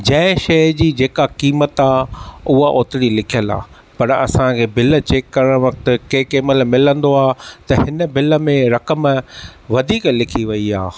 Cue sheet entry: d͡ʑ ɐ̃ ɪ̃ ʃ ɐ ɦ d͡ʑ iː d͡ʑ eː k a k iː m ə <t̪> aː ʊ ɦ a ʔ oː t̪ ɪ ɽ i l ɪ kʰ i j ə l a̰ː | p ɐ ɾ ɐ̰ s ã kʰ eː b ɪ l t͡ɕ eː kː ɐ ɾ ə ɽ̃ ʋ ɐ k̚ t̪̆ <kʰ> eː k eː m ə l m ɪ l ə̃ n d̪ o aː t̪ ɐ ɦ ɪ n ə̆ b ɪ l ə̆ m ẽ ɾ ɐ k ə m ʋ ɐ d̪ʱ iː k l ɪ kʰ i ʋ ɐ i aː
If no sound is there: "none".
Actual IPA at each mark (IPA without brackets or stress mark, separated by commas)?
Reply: t̪, k